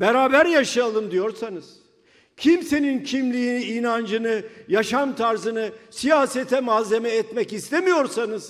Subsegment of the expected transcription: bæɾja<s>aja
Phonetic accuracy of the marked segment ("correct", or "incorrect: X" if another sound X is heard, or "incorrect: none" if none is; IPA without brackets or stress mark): incorrect: ʃ